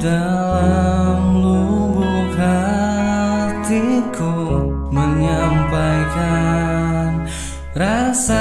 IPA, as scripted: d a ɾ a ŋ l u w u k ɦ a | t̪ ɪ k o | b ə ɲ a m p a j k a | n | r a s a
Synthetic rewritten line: d a l a m l u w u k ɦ a | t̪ i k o | m ə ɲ a m p a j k a | n | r a s a

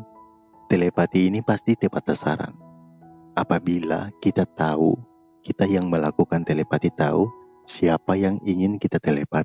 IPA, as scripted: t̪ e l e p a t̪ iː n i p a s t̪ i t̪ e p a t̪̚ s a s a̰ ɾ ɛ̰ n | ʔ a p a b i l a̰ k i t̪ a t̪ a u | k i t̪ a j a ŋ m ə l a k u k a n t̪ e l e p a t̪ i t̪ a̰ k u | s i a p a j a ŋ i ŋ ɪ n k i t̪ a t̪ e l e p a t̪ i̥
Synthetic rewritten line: t̪ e l e p a t̪ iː n i p a s t̪ i t̪ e p a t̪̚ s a s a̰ ɾ a̰ n | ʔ a p a b i l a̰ k i t̪ a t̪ a u | k i t̪ a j a ŋ m ə l a k u k a n t̪ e l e p a t̪ i t̪ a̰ u | s i a p a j a ŋ i ŋ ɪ n k i t̪ a t̪ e l e p a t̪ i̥

